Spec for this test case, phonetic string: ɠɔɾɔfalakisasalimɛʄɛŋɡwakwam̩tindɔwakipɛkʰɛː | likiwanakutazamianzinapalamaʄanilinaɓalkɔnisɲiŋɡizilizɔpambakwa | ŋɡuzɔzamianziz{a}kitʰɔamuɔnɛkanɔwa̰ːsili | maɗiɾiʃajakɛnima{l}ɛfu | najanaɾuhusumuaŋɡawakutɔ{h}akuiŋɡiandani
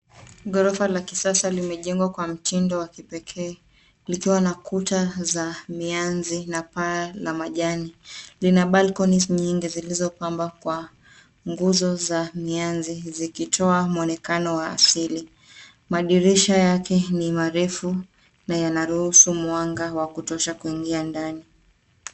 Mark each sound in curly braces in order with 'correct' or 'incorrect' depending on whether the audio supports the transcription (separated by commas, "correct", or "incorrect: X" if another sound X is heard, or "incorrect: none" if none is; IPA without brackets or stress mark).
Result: incorrect: i, incorrect: ɾ, incorrect: ʃ